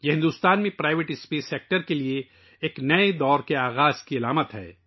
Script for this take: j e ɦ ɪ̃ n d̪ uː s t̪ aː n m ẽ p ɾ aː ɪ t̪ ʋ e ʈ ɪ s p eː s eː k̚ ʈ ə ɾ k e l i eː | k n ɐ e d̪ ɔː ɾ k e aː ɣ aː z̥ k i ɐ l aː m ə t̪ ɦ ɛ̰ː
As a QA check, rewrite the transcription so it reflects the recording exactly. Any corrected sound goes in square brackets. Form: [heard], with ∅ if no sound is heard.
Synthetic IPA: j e ɦ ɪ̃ n d̪ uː s t̪ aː n m ẽ p ɾ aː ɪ [∅] ʋ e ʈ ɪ s p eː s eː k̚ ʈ ə ɾ k e l i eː | k n ɐ e d̪ ɔː ɾ k e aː ɣ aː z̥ k i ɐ l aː m ə t̪ ɦ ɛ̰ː